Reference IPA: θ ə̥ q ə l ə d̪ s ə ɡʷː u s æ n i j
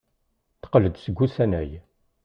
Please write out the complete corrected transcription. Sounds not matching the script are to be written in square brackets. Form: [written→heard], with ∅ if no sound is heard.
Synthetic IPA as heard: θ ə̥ q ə l ə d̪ s ə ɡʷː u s æ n [i→æ] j